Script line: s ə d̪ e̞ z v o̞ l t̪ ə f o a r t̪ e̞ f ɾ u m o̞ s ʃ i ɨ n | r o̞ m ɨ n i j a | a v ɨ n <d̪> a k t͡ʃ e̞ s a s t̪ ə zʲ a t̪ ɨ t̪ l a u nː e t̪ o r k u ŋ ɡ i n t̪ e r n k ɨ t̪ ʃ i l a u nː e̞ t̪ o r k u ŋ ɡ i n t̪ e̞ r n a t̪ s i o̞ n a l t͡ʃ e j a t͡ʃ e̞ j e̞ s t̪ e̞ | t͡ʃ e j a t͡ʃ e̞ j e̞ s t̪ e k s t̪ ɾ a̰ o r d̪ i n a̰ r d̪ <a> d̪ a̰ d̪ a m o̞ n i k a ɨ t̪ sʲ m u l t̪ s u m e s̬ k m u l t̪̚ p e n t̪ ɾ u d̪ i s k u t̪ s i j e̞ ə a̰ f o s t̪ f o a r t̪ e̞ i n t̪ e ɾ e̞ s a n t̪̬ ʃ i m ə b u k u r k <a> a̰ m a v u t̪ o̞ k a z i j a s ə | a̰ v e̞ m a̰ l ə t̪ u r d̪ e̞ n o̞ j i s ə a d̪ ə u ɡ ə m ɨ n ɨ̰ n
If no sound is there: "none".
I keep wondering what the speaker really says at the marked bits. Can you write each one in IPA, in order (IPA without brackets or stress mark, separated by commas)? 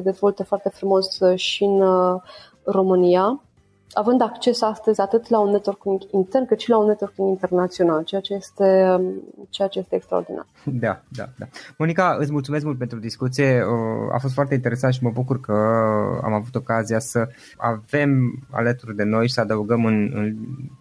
d̪, a, ə